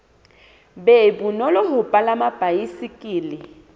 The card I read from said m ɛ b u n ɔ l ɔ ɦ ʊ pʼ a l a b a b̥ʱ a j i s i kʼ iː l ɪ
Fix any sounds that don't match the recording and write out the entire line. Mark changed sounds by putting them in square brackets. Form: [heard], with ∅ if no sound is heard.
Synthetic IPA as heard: [b] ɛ b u n ɔ l ɔ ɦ ʊ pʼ a l a [m] a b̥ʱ a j i s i kʼ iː l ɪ